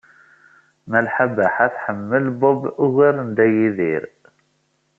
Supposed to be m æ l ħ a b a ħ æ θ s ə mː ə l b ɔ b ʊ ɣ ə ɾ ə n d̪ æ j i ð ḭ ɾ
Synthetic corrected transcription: m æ l ħ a b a ħ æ θ ħ ə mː ə l b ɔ b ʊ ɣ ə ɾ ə n d̪ æ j i ð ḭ ɾ